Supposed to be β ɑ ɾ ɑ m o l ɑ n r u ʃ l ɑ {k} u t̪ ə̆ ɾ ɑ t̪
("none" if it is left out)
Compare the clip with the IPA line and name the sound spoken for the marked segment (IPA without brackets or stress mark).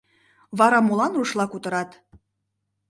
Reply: k